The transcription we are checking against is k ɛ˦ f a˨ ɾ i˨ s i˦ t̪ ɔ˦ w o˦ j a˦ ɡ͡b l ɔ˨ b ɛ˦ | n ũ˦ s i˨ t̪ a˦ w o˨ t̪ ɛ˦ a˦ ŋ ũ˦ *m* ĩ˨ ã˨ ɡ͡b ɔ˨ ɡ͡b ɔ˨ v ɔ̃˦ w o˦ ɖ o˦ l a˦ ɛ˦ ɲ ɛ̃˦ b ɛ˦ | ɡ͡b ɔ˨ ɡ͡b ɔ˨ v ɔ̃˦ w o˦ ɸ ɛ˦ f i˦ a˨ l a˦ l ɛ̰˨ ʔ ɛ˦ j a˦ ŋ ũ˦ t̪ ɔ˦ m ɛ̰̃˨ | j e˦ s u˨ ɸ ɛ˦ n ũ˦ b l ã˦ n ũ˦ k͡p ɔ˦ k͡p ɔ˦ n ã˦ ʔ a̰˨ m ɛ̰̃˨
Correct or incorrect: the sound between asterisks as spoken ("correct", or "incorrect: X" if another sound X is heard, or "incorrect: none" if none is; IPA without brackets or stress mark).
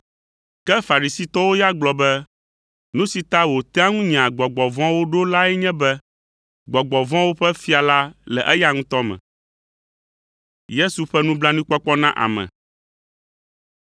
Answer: incorrect: ɲ